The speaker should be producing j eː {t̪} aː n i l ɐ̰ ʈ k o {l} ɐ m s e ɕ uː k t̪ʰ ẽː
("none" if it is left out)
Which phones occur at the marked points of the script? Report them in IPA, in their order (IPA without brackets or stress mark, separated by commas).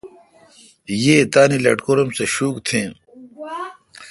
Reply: t̪, ɾ